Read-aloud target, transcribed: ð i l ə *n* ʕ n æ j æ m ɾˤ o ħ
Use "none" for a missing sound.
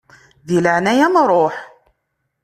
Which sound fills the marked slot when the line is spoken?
none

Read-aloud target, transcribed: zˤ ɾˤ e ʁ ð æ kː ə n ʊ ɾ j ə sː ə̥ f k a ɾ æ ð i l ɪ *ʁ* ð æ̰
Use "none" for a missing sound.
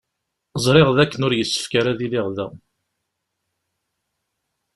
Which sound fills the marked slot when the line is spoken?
ʁ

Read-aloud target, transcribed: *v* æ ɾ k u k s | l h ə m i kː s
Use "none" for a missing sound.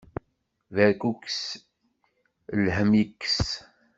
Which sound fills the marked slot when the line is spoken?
v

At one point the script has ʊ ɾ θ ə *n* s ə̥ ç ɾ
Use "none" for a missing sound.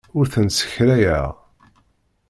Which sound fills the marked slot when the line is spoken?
n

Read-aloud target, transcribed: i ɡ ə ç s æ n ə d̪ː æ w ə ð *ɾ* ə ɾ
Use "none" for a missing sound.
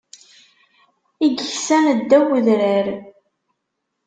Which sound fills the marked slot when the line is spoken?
ɾ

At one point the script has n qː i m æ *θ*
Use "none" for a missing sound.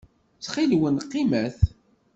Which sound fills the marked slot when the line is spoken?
θ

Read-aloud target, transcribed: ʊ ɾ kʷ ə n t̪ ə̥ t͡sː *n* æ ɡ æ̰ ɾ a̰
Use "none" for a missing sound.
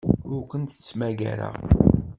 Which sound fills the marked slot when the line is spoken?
m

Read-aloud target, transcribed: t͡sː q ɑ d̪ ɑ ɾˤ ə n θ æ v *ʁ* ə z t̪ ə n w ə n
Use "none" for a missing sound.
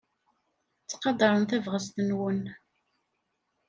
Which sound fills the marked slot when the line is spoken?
ʁ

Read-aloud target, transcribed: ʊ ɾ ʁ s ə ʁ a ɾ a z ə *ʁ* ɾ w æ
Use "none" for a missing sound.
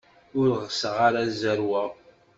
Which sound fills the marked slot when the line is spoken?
none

